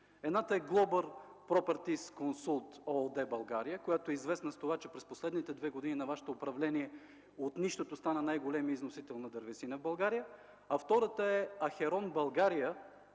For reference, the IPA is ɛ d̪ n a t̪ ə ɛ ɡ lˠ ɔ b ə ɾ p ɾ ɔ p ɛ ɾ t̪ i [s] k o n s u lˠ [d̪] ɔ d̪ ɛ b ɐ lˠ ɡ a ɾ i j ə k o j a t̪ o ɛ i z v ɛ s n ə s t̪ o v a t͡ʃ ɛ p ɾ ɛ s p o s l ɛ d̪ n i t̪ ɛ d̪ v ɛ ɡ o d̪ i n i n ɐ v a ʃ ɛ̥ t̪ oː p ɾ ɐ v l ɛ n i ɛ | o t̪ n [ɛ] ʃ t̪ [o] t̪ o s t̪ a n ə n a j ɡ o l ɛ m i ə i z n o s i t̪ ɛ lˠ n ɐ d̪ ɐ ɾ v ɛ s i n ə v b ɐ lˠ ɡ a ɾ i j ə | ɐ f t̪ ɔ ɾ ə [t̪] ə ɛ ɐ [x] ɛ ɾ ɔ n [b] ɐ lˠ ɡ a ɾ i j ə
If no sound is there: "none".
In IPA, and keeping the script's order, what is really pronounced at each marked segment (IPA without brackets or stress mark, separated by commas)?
s, t̪, i, o, t̪, x, b